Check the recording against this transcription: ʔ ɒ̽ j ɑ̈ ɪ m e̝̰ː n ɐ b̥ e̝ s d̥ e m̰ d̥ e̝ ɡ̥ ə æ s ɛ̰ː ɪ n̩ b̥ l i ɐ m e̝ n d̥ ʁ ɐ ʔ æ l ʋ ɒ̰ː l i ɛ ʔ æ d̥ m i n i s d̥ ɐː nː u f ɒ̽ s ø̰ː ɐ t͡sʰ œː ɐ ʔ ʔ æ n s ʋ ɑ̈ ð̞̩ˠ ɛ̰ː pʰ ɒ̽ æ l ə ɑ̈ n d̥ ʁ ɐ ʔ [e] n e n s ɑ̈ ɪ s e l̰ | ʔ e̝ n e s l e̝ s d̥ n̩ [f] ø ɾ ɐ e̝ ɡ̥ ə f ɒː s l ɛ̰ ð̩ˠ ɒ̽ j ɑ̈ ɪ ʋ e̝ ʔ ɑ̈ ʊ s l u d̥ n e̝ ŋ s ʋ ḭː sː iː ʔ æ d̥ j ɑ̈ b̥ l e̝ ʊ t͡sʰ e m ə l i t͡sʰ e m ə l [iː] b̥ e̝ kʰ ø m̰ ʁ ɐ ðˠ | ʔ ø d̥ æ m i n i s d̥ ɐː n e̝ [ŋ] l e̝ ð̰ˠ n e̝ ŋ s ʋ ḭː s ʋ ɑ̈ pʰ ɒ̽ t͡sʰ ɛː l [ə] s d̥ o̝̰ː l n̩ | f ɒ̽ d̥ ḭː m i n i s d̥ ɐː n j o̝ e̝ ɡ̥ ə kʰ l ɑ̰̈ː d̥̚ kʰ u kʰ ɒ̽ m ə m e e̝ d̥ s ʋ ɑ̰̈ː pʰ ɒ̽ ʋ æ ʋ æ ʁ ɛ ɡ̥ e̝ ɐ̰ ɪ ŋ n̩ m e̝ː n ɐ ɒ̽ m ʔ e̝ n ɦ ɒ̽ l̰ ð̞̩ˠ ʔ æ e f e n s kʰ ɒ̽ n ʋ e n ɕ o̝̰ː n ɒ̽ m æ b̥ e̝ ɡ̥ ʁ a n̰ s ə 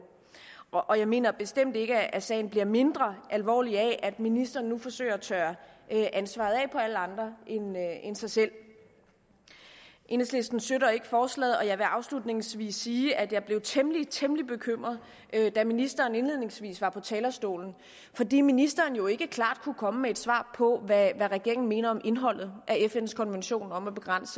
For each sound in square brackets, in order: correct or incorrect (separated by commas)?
correct, incorrect, incorrect, incorrect, incorrect